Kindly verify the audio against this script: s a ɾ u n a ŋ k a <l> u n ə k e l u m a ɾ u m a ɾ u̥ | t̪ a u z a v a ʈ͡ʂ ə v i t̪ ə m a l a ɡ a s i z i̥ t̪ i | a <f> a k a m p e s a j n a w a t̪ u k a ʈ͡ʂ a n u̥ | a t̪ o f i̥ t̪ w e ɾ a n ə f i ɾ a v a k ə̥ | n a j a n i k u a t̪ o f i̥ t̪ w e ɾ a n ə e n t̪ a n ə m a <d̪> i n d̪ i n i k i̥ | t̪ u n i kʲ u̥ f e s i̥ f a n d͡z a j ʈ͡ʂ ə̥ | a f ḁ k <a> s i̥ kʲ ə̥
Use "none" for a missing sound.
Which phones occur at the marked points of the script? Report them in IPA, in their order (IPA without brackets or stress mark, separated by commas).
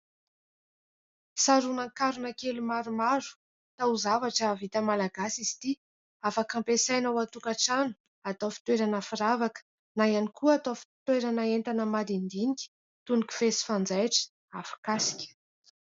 ɾ, f, d̪, a